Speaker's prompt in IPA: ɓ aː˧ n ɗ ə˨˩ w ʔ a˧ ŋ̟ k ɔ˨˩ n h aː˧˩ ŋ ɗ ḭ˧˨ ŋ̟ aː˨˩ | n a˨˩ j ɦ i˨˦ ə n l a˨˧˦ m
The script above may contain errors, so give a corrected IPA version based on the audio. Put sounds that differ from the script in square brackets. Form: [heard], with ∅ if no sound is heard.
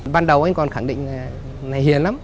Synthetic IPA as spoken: ɓ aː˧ n ɗ ə˨˩ w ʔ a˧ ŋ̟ k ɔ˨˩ n [x] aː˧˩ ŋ ɗ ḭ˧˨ ŋ̟ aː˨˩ | n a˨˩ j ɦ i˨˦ ə n l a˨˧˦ m